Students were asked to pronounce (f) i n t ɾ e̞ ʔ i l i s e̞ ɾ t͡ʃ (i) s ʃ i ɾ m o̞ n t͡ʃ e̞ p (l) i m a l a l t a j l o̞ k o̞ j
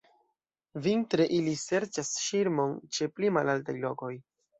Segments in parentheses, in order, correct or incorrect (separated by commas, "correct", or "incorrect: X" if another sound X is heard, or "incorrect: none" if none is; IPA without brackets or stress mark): incorrect: v, incorrect: a, correct